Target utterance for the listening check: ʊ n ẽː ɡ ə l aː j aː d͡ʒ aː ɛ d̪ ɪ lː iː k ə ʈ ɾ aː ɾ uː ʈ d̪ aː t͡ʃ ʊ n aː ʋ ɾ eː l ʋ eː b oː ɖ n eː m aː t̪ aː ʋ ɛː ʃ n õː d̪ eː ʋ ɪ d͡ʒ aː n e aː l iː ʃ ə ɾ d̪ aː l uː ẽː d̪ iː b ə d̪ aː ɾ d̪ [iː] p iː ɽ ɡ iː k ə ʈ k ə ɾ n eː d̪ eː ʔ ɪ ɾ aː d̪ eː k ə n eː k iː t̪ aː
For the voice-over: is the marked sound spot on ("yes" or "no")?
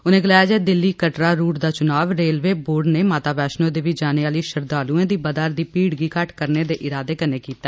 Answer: yes